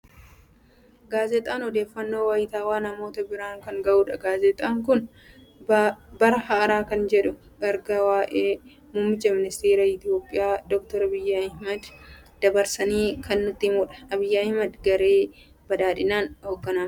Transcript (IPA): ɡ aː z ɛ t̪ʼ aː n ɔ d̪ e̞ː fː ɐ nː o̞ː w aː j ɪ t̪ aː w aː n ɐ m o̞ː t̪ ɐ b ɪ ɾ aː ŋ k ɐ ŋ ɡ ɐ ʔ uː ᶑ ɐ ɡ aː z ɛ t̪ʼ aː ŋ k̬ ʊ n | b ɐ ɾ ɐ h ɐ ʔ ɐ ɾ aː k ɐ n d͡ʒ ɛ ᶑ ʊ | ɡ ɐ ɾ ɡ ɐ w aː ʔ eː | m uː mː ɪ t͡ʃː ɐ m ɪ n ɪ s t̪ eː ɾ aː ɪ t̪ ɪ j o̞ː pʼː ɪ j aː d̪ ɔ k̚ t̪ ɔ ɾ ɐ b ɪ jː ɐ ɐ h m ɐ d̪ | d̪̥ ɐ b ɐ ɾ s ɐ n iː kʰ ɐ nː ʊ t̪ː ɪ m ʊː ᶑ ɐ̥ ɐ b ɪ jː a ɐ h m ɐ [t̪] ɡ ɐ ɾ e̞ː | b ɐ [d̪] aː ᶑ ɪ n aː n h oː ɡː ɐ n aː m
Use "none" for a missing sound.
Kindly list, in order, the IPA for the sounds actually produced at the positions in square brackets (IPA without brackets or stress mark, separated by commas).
d̪, d̪